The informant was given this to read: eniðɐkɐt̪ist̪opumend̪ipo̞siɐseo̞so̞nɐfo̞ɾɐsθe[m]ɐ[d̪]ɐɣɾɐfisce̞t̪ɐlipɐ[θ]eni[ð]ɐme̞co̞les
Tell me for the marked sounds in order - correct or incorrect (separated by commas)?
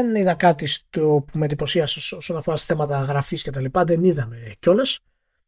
correct, incorrect, incorrect, correct